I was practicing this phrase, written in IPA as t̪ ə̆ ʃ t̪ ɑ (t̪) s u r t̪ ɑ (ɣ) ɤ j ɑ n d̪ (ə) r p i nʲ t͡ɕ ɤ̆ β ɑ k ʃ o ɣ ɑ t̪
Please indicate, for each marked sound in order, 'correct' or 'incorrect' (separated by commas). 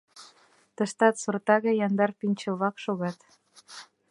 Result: correct, correct, incorrect